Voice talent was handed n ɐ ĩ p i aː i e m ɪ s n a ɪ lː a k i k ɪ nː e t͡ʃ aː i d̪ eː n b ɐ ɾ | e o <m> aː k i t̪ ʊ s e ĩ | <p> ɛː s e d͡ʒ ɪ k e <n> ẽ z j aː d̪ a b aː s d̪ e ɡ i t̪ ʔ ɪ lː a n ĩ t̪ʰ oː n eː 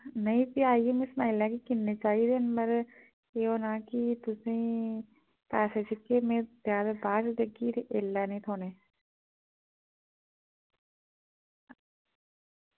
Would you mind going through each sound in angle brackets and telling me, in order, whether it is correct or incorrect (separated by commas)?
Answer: incorrect, correct, incorrect